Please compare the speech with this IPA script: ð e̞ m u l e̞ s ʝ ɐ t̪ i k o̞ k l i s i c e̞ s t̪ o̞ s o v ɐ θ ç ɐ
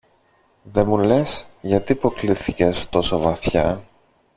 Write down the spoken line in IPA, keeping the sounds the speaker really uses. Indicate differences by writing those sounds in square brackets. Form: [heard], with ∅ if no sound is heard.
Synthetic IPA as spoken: ð e̞ m u l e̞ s ʝ ɐ t̪ i [p] o̞ k l i [θ] i c e̞ s t̪ o̞ s o v ɐ θ ç ɐ